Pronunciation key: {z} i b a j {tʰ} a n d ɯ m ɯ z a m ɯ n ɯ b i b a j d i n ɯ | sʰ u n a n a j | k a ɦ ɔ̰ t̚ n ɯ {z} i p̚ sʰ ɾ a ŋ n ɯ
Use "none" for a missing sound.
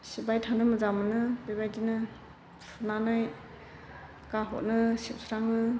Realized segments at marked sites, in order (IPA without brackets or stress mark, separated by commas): s, tʰ, s